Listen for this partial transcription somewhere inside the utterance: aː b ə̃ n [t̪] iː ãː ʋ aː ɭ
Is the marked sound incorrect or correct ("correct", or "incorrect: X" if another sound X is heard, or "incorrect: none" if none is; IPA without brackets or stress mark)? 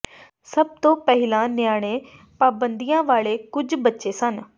incorrect: d̪